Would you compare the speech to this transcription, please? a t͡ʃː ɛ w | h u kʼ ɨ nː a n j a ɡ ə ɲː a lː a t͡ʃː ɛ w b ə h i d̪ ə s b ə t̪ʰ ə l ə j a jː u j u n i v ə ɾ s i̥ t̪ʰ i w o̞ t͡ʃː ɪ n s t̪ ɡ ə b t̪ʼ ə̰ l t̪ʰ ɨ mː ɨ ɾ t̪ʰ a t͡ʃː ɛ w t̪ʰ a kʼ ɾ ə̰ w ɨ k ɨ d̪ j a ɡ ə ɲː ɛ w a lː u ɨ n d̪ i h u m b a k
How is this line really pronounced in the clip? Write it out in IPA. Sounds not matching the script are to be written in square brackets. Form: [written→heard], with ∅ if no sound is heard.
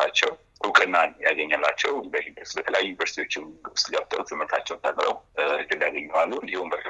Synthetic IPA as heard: a t͡ʃː ɛ w | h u kʼ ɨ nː a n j a ɡ ə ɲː a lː a t͡ʃː ɛ w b ə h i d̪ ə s b ə t̪ʰ ə l ə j a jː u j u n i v ə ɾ s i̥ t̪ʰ i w o̞ t͡ʃː ɪ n s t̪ ɡ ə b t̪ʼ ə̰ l t̪ʰ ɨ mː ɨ ɾ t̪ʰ a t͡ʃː ɛ w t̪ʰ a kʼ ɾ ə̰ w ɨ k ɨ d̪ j a ɡ ə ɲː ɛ w a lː u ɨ n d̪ i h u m b [a→ə] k